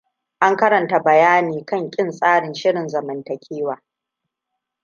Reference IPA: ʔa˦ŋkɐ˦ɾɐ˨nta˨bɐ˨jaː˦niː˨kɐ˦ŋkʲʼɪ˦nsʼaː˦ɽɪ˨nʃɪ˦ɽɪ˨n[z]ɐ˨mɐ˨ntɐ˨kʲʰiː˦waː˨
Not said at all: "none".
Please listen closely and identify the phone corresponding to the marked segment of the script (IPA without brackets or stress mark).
z